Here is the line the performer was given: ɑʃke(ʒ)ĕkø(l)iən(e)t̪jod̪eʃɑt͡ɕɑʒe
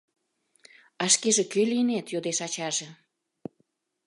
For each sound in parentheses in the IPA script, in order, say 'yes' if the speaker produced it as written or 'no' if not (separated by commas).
yes, yes, yes